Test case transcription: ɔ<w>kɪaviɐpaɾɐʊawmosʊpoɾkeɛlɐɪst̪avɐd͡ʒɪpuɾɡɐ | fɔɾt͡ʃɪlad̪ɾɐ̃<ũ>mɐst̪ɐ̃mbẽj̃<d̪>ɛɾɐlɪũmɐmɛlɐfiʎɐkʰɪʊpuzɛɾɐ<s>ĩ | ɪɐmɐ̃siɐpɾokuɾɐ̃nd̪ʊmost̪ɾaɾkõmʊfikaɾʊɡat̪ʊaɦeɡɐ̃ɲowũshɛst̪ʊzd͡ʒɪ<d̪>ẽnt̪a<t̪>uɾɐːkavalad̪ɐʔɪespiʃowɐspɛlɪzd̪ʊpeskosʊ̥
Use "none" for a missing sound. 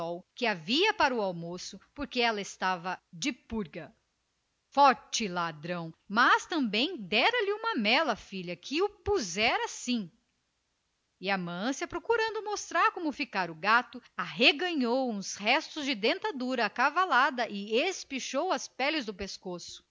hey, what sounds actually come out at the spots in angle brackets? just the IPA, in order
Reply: w, w̃, d̪, s, d̪, d̪

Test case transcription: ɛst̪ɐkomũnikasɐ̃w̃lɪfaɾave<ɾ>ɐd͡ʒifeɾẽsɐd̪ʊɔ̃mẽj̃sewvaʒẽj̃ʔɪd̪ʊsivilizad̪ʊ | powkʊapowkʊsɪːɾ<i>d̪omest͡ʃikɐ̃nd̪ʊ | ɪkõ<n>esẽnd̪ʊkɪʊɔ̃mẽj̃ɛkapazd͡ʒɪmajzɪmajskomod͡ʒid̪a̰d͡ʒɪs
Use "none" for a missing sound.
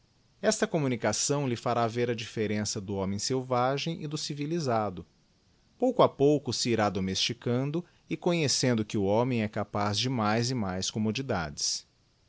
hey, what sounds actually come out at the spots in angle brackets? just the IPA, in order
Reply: ɾ, a, ɲ

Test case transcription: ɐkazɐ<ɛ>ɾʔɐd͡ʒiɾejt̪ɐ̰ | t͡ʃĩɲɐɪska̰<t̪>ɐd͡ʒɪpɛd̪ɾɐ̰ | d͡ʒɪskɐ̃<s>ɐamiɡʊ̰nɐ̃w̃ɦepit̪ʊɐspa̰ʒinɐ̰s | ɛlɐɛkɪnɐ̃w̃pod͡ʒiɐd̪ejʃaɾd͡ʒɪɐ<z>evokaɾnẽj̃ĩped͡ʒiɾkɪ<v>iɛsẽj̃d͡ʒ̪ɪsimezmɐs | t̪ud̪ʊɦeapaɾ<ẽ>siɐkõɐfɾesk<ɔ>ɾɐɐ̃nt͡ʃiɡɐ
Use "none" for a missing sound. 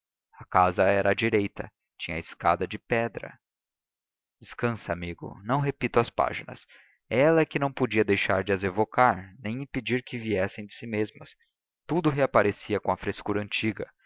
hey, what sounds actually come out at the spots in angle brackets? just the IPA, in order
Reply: ɛ, d̪, s, z, v, e, u

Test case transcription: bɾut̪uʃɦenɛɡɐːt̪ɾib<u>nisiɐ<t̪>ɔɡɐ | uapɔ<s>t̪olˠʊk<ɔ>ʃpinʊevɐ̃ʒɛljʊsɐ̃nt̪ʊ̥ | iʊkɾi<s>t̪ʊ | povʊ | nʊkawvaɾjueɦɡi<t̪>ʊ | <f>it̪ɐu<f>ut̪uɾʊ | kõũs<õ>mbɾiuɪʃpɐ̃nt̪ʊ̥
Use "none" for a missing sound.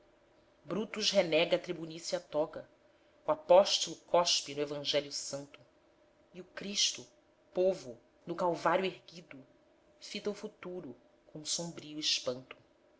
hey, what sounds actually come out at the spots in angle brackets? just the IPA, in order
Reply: u, t̪, ʃ, ɔ, ʃ, d̪, f, f, õ

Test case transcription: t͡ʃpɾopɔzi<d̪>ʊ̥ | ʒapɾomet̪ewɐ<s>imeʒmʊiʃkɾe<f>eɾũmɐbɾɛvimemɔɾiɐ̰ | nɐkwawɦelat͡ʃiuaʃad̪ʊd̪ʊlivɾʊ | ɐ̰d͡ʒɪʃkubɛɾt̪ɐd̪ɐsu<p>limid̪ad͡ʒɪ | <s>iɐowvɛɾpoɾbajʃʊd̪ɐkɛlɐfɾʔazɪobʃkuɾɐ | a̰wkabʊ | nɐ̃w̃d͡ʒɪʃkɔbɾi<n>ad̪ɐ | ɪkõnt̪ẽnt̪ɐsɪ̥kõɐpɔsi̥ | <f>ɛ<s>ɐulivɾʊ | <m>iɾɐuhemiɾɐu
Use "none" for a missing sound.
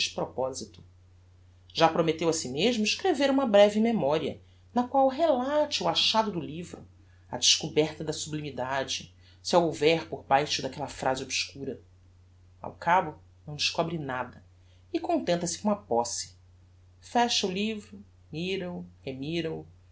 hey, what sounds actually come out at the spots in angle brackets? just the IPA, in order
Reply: t̪, s, v, b, s, n, f, ʃ, m

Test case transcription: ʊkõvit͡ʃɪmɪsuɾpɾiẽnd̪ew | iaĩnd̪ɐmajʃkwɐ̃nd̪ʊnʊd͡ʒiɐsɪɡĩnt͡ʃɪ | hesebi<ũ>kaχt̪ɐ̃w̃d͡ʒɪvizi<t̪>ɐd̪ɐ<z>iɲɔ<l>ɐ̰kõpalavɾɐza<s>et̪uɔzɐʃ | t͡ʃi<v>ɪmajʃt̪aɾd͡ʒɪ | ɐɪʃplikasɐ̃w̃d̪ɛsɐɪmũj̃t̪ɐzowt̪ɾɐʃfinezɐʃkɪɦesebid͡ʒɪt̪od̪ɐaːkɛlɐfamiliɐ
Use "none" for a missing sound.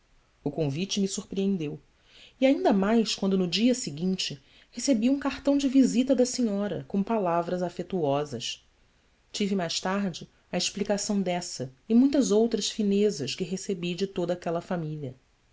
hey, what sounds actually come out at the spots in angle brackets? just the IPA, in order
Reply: ũ, t̪, s, ɾ, f, v

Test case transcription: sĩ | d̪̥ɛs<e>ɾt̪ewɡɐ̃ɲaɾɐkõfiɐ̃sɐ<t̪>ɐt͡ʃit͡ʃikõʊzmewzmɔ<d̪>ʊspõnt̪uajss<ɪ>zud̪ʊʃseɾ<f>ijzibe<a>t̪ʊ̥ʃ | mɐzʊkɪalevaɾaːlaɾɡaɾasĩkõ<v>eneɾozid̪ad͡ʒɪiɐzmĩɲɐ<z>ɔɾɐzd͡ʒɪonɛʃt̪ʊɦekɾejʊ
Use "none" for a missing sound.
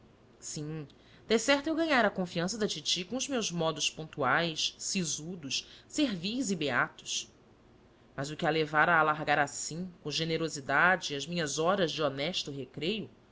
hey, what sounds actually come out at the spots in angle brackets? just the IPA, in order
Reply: ɛ, d̪, d̪, i, v, a, ʒ, z

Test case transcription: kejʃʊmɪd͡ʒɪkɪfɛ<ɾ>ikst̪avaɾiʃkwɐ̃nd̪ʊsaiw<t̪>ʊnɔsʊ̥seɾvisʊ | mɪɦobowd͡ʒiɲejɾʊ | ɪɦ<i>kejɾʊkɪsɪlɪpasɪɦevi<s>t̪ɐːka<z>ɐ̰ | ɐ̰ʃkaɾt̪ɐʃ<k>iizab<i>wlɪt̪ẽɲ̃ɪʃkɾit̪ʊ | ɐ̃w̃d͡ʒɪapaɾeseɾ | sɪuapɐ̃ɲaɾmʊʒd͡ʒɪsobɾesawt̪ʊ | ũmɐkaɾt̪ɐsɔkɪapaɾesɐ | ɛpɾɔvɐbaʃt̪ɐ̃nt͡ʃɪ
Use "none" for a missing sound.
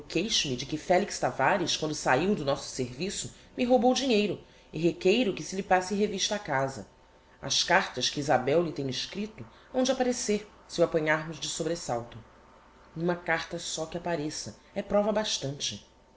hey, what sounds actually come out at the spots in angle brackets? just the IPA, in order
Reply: l, d̪, e, ʃ, z, k, ɛ

